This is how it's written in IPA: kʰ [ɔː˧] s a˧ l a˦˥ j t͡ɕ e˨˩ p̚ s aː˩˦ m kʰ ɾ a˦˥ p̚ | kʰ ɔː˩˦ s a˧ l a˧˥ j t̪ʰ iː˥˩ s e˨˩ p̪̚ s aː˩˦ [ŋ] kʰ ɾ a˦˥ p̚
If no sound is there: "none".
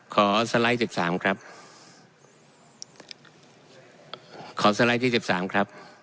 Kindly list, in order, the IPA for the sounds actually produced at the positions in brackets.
ɔː˩˦, m

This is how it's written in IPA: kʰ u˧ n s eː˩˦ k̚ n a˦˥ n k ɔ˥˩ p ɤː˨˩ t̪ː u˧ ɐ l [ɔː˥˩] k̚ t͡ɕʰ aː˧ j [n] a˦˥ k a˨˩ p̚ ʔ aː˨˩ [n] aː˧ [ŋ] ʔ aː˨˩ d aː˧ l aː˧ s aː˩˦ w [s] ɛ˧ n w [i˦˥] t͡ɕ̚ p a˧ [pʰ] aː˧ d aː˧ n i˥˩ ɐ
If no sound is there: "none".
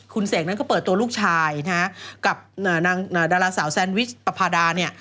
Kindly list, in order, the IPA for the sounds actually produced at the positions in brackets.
uː˥˩, n, n, ŋ, s, i˦˥, pʰ

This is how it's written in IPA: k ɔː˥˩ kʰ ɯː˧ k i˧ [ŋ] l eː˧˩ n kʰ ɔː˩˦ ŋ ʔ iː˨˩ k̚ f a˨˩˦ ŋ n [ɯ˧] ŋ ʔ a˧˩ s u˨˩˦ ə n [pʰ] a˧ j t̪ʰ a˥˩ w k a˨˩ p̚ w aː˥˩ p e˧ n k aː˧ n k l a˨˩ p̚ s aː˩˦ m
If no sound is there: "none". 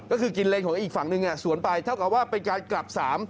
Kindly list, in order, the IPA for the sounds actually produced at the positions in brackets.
n, ɯ˧, p

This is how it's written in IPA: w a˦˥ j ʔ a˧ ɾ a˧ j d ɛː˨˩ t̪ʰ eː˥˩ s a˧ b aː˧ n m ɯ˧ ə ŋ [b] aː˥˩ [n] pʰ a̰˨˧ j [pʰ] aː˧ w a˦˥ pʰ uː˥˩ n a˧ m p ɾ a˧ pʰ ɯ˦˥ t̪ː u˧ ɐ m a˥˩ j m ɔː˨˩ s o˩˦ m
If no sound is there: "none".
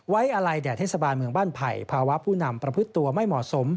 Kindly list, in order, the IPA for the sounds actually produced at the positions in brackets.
b, n, pʰ

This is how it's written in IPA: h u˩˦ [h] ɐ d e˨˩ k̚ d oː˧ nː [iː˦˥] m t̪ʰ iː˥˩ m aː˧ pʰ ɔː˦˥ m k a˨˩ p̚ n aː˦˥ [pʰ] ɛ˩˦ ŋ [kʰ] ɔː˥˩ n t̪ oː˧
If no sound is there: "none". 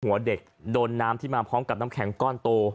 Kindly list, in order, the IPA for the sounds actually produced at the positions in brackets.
none, aː˦˥, kʰ, k

